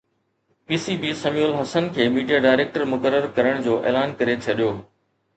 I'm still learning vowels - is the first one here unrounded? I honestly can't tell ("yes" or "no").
yes